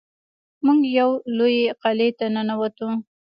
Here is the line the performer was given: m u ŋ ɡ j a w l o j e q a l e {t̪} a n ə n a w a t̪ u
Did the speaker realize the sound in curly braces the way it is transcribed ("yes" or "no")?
yes